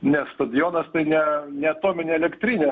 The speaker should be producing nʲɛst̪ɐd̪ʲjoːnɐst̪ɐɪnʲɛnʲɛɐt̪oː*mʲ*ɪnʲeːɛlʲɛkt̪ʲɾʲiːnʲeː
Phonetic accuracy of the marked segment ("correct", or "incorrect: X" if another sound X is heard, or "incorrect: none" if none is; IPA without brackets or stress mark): correct